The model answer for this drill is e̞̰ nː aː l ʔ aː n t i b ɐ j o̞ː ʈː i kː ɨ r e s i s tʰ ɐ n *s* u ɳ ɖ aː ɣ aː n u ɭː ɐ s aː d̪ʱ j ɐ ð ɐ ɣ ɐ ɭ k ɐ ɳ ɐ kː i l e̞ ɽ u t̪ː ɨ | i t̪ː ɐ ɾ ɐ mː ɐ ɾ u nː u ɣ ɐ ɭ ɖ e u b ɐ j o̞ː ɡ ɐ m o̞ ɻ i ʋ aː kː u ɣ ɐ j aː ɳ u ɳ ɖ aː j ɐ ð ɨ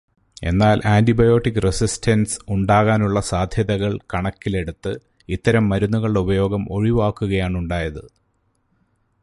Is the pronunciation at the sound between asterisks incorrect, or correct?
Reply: correct